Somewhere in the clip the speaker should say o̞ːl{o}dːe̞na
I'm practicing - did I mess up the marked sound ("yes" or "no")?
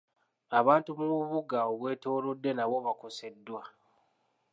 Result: no